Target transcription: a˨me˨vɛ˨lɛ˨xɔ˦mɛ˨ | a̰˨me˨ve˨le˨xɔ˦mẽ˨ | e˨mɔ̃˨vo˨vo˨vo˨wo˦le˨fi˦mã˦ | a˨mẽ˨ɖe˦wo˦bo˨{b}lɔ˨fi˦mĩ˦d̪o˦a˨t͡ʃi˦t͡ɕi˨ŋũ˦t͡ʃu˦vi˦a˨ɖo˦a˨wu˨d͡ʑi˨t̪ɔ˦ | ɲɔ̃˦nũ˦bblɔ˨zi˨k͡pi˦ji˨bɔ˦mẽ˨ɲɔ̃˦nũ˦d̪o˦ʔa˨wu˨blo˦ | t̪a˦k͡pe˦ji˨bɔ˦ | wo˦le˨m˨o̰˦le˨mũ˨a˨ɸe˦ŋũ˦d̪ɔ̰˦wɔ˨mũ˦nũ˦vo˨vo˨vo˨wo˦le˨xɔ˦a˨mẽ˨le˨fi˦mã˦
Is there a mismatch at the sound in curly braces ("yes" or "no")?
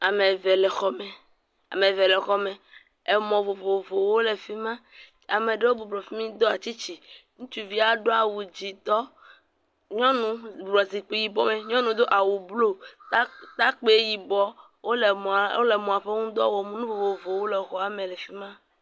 no